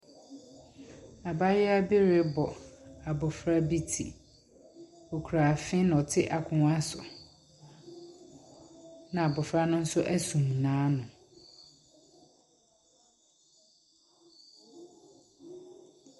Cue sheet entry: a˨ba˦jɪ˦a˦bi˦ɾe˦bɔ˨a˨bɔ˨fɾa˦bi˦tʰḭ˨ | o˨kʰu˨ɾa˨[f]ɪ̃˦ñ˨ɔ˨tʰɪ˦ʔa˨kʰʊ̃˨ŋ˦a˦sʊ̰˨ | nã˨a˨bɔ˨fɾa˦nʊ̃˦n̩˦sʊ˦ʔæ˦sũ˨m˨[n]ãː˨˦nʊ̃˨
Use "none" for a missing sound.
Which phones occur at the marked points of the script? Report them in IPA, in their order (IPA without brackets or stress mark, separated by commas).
f, n